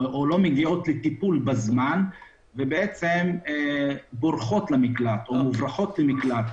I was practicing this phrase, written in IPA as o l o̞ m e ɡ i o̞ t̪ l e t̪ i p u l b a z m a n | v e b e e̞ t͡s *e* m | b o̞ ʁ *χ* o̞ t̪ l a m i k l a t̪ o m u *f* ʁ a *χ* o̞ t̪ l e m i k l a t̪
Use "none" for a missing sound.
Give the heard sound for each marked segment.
e, χ, v, χ

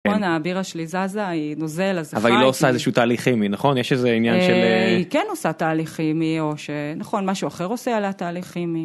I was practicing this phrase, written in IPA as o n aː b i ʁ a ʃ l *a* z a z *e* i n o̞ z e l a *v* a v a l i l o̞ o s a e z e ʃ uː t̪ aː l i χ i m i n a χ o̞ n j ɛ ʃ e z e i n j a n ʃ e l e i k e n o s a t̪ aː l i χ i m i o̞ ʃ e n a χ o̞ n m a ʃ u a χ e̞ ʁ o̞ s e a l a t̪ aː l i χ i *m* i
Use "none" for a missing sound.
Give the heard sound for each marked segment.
i, a, z, m

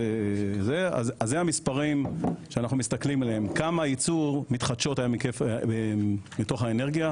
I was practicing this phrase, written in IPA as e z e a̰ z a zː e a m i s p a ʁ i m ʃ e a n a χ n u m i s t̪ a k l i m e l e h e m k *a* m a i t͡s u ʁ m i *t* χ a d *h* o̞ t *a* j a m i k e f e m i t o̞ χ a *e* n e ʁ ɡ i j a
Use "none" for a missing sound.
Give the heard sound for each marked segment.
a, t, ʃ, a, e

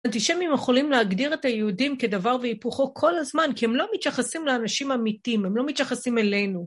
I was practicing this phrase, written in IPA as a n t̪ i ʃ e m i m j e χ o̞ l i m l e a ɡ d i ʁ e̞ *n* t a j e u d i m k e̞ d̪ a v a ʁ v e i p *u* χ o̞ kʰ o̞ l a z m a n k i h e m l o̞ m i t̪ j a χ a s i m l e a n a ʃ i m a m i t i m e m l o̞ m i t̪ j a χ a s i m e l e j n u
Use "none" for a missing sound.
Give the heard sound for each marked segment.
none, u

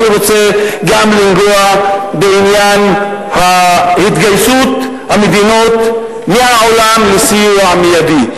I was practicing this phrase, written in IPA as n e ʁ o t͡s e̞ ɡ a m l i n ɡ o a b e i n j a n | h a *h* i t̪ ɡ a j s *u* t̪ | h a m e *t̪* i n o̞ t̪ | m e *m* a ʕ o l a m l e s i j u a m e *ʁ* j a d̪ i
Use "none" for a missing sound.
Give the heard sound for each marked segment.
h, u, d̪, none, none

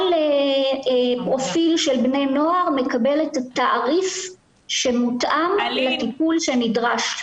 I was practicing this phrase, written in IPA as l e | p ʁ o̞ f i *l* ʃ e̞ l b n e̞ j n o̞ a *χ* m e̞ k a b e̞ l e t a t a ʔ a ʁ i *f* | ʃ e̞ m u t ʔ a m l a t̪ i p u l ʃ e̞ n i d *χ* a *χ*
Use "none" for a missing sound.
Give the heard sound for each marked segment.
l, ʁ, f, ʁ, ʃ

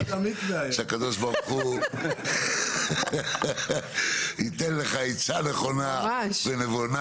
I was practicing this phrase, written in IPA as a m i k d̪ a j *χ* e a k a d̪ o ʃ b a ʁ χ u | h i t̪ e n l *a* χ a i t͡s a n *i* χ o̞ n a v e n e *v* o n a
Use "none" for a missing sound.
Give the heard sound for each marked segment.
ʃ, e, e, v

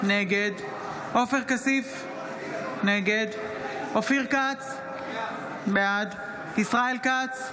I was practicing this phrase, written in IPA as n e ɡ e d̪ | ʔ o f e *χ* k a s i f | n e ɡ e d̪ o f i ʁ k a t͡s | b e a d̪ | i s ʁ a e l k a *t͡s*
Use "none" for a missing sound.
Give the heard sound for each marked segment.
ʁ, t͡s

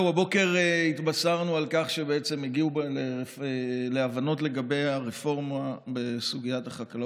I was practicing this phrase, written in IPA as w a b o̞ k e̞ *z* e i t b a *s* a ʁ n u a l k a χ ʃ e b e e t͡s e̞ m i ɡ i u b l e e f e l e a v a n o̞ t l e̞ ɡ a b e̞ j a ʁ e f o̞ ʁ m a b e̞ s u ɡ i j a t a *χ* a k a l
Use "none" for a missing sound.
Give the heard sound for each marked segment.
ʁ, s, χ

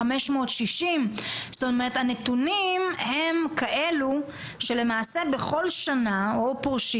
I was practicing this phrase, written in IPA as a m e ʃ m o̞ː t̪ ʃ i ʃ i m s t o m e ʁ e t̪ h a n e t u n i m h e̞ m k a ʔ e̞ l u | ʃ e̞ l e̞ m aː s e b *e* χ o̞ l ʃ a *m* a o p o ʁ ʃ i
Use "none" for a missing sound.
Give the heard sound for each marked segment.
e, n

